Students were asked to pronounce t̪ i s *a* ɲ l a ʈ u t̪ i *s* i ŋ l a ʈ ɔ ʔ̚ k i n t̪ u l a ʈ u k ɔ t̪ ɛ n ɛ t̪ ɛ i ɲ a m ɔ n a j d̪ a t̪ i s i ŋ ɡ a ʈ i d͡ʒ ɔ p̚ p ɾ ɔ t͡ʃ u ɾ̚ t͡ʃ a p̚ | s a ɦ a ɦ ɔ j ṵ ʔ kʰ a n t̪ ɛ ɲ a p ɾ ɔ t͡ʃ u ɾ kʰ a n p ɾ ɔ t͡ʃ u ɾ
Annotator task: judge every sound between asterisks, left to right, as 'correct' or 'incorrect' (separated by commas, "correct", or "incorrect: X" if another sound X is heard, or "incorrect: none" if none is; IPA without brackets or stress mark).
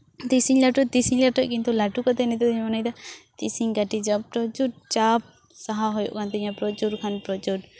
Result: incorrect: i, correct